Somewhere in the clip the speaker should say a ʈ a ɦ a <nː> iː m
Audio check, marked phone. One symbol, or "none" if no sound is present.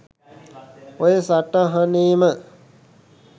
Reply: n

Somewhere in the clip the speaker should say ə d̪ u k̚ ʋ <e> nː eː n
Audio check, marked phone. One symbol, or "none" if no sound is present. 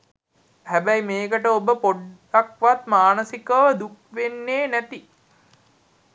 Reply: e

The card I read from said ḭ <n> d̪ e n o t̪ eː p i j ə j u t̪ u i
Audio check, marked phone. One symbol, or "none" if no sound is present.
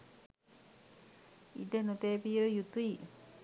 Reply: none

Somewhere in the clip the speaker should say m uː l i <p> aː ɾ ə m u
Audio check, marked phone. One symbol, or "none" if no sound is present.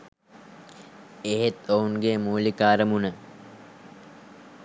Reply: k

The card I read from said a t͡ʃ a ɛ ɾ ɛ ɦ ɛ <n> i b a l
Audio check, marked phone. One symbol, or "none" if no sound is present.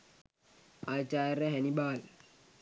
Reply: n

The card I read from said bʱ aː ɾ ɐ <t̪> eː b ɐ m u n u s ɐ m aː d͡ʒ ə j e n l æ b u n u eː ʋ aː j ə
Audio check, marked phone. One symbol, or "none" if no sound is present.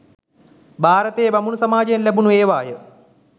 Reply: t̪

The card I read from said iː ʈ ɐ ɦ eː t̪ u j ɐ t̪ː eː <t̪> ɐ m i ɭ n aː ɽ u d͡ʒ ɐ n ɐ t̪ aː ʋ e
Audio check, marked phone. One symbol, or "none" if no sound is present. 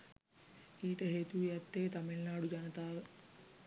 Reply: t̪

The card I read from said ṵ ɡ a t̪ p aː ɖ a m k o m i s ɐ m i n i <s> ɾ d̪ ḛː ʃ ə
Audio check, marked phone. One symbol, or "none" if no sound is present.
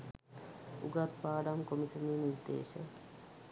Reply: none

